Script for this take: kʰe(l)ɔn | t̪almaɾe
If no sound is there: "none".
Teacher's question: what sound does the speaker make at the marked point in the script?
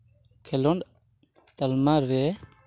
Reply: l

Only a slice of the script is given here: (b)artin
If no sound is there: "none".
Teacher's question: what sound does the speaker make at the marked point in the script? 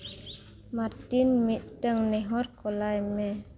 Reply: m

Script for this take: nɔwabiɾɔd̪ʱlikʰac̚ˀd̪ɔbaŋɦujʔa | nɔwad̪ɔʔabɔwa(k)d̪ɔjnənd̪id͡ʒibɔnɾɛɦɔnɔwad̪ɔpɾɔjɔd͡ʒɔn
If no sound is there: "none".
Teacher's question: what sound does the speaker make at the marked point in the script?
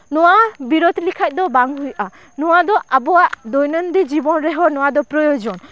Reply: ʔ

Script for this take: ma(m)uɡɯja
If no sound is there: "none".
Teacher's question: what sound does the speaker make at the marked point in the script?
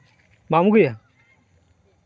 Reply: m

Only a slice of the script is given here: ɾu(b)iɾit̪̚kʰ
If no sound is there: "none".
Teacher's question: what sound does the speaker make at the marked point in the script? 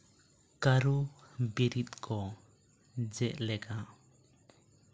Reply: b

